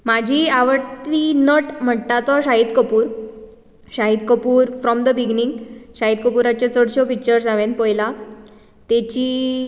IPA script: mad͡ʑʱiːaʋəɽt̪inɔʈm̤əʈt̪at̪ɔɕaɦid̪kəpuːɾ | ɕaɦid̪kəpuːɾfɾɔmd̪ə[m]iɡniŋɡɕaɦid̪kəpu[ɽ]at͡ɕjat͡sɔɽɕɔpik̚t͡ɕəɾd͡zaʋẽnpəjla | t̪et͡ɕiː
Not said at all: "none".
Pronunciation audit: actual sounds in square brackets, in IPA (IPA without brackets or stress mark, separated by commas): b, ɾ